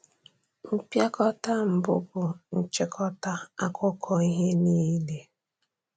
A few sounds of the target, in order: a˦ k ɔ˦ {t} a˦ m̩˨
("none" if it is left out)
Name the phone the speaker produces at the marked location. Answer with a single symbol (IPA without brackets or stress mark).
t